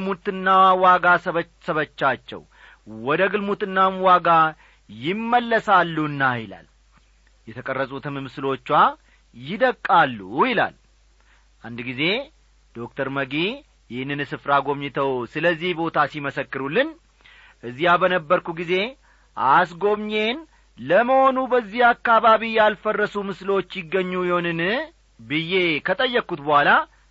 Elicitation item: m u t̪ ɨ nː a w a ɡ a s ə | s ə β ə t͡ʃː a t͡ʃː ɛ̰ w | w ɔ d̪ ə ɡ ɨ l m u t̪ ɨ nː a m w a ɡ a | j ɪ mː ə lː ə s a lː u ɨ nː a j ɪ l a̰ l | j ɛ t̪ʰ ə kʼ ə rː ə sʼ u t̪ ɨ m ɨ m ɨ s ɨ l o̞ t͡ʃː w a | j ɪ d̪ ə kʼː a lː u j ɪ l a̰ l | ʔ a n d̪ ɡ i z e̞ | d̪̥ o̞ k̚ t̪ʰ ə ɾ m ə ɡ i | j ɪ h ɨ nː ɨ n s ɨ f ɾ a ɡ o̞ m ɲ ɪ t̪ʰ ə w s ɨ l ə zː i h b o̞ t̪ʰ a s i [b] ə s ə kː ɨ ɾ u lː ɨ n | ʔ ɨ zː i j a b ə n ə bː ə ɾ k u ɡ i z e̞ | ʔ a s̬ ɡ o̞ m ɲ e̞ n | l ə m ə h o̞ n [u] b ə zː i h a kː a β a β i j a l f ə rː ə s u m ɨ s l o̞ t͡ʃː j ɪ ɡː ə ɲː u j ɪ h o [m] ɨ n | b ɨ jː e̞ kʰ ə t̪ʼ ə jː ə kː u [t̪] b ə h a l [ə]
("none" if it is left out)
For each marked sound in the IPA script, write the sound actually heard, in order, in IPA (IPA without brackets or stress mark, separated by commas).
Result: m, u, n, t̪, a